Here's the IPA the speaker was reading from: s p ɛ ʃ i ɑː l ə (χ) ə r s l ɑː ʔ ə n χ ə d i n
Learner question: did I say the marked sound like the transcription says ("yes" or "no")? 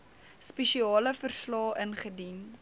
no